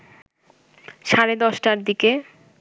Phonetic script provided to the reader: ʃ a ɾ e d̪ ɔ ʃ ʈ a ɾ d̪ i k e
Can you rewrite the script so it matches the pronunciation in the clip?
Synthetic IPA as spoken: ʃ a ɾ e d̪ ɔ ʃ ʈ a ɾ d̪ i k e